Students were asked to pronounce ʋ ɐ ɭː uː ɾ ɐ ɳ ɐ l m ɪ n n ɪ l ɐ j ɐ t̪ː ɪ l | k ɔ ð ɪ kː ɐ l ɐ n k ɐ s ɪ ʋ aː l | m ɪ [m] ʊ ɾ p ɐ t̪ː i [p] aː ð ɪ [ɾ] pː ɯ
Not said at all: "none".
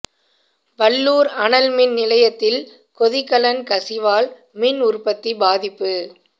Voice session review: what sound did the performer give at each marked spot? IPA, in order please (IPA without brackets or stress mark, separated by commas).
n, b, none